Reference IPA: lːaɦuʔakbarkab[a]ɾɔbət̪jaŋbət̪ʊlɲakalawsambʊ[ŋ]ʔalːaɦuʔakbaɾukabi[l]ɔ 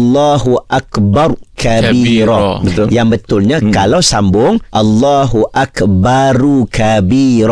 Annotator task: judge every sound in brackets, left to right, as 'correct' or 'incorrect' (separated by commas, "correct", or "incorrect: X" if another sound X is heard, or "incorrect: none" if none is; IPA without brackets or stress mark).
incorrect: i, correct, incorrect: ɾ